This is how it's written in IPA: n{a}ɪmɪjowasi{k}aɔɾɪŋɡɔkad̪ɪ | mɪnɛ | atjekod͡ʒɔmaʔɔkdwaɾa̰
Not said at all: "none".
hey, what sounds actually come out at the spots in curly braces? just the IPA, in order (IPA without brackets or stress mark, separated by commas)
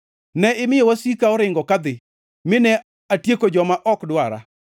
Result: ɛ, k